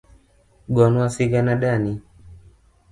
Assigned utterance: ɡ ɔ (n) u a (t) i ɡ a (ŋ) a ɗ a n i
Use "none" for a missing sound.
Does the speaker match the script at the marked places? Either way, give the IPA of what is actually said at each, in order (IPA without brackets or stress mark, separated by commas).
n, s, n